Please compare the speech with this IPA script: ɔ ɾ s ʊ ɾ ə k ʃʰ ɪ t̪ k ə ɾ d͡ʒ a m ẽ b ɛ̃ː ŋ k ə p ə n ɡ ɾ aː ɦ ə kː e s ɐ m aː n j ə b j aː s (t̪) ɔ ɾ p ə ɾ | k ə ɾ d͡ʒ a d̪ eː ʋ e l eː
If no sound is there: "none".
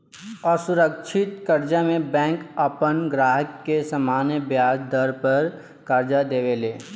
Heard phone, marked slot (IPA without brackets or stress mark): d̪